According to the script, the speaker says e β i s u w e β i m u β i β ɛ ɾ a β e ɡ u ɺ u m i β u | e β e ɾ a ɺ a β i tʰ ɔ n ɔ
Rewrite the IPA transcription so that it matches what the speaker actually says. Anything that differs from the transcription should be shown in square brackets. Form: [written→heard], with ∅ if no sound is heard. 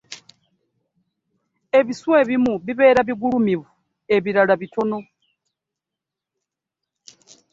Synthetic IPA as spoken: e β i s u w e β i m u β i β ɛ ɾ a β [e→i] ɡ u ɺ u m i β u | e β [e→i] ɾ a ɺ a β i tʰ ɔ n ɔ